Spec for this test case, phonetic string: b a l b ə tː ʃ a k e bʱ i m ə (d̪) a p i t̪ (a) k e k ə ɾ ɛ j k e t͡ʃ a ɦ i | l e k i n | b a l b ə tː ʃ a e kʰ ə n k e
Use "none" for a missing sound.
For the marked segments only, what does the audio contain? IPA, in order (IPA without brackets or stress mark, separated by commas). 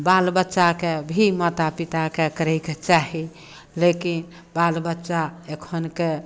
t̪, a